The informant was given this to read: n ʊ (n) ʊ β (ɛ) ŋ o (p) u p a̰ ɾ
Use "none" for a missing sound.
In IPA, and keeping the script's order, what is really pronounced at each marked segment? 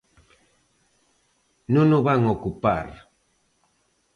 n, a, k

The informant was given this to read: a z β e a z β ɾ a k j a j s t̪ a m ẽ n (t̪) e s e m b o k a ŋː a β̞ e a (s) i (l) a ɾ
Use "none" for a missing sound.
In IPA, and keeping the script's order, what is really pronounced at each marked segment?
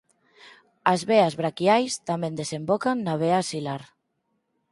d̪, s, l

